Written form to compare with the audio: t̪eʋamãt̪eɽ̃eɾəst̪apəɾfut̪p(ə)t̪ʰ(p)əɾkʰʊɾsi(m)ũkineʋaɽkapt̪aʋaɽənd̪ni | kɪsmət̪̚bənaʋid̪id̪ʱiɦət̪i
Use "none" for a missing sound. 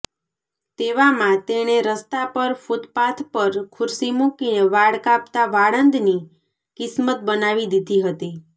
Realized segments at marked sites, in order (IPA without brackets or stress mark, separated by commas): a, p, m